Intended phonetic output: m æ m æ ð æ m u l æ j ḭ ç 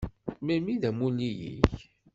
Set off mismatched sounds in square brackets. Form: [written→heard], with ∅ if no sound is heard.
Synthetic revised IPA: m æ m [æ→i] ð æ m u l [æ→i] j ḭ ç